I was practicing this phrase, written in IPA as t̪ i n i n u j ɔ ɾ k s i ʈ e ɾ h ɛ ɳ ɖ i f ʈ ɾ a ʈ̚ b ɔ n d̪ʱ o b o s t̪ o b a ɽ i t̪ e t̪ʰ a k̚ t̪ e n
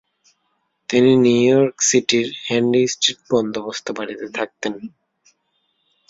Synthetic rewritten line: t̪ i n i n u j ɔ ɾ k s i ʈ i ɾ h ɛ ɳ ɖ i s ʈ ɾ i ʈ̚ b ɔ n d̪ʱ o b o s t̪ o b a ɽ i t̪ e t̪ʰ a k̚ t̪ e n